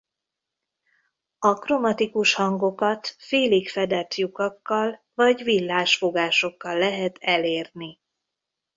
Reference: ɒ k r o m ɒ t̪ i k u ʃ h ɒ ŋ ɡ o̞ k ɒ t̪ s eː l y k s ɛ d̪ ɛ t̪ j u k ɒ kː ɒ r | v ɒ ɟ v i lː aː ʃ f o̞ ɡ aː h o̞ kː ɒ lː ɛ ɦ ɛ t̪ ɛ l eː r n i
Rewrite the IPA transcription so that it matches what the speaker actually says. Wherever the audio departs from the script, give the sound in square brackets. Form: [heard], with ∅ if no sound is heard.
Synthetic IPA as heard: ɒ k r o m ɒ t̪ i k u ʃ h ɒ ŋ ɡ o̞ k ɒ t̪ [f] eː l [i] k [f] ɛ d̪ ɛ t̪ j u k ɒ kː ɒ [l] | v ɒ ɟ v i lː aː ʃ f o̞ ɡ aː [ʃ] o̞ kː ɒ lː ɛ ɦ ɛ t̪ ɛ l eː r n i

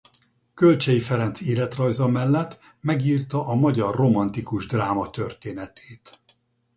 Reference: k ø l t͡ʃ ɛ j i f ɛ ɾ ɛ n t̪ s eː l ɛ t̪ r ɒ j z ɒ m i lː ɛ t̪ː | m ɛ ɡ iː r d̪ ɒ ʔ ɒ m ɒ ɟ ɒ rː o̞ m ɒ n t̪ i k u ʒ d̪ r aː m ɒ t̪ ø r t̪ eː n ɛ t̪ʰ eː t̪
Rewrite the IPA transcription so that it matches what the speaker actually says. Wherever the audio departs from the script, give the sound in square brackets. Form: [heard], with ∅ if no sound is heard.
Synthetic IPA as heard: k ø l t͡ʃ ɛ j i f ɛ ɾ ɛ n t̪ s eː l ɛ t̪ r ɒ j z ɒ m [ɛ] lː ɛ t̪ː | m ɛ ɡ iː r [t̪] ɒ ʔ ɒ m ɒ ɟ ɒ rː o̞ m ɒ n t̪ i k u ʒ d̪ r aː m ɒ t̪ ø r t̪ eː n ɛ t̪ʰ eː t̪

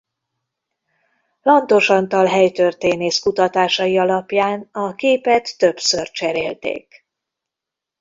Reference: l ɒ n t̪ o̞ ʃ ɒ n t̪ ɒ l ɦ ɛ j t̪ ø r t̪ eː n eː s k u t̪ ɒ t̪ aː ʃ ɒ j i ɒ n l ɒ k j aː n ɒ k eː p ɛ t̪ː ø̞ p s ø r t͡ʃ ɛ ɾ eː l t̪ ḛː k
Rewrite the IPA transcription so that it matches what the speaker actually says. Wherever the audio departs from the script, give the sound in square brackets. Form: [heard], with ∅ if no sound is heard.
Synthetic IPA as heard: l ɒ n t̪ o̞ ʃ ɒ n t̪ ɒ l ɦ ɛ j t̪ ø r t̪ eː n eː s k u t̪ ɒ t̪ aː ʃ ɒ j i ɒ [∅] l ɒ [p] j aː n ɒ k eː p ɛ t̪ː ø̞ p s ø r t͡ʃ ɛ ɾ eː l t̪ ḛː k

